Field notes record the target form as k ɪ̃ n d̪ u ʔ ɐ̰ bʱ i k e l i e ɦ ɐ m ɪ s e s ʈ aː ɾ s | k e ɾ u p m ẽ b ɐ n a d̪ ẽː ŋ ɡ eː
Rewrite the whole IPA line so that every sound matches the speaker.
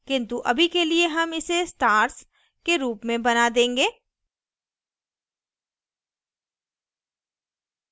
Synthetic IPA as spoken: k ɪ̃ n t̪ u ʔ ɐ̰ bʱ i k e l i e ɦ ɐ m ɪ s e s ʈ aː ɾ s | k e ɾ uː p m ẽ b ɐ n a d̪ ẽː ŋ ɡ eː